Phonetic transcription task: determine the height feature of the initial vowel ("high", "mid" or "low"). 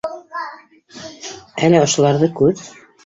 low